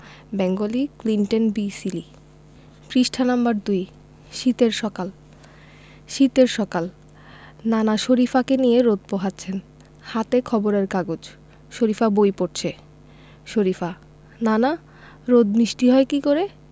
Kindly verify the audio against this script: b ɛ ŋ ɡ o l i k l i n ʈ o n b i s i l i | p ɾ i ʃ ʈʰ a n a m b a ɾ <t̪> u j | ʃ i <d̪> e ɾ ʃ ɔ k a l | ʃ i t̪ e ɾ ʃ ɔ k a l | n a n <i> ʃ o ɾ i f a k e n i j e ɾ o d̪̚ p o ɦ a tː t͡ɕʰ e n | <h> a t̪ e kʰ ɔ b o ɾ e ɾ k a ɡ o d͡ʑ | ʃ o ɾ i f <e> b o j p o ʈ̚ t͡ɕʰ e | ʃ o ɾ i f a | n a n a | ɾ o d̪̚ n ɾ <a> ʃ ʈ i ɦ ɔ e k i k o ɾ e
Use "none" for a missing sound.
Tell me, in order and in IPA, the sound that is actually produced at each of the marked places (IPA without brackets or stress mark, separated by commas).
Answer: d̪, t̪, a, h, a, i